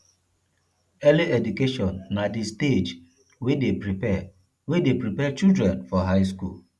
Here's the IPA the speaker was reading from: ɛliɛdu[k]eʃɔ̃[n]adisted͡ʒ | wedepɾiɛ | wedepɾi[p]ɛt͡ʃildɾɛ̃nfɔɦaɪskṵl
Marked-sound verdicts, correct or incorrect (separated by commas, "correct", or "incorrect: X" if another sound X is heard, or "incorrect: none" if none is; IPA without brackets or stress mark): correct, incorrect: nː, correct